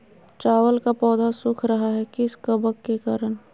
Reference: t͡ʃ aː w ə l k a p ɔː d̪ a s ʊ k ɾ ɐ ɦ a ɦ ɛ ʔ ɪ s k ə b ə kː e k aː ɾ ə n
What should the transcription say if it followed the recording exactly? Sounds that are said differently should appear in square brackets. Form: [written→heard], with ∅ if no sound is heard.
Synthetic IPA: t͡ʃ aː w ə l k a p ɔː d̪ a s ʊ [k→kʰ] ɾ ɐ ɦ a ɦ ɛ [ʔ→k] ɪ s k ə b ə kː e k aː ɾ ə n

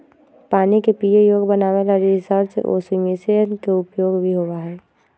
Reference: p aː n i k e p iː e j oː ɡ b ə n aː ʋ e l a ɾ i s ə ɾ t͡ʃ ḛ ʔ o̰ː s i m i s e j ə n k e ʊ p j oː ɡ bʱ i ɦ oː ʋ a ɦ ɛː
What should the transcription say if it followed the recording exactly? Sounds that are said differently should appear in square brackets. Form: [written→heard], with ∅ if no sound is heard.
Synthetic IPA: p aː n i k e p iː e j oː ɡ b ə n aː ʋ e l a ɾ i s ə ɾ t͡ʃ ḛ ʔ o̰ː s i m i s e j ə n k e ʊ p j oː ɡ bʱ i ɦ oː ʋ a ɦ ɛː

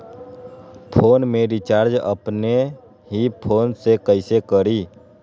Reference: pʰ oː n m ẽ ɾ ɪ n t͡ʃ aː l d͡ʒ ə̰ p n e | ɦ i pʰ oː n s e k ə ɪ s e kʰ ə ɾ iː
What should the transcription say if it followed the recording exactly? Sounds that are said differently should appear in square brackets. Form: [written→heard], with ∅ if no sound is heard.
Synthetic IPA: pʰ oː n m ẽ ɾ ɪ [n→∅] t͡ʃ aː [l→ɾ] d͡ʒ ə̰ p n e | ɦ i pʰ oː n s e k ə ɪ s e [kʰ→k] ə ɾ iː

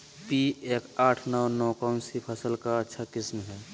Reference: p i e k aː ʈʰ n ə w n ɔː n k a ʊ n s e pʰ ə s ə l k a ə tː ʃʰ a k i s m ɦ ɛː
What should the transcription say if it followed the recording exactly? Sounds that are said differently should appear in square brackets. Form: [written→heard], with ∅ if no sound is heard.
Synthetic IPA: p i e k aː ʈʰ n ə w n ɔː [n→∅] k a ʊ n s [e→i] pʰ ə s ə l k a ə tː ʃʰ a k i s m ɦ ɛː

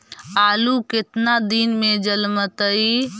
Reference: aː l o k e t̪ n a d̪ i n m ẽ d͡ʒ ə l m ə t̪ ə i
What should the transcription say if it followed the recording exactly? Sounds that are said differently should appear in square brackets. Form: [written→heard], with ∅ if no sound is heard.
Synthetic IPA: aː l [o→u] k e t̪ n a d̪ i n m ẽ d͡ʒ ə l m ə t̪ ə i

